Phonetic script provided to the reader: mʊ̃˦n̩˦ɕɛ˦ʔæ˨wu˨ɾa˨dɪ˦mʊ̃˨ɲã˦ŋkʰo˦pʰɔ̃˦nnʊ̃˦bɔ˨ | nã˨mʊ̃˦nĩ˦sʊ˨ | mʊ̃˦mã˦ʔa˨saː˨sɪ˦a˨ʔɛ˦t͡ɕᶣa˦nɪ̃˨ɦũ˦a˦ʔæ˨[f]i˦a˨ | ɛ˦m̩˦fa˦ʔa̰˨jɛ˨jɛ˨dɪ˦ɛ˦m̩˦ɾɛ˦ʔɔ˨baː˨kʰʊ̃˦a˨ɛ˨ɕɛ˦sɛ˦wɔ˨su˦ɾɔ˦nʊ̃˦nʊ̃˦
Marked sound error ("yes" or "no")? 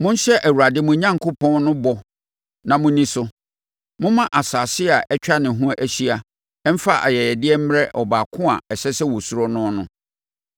yes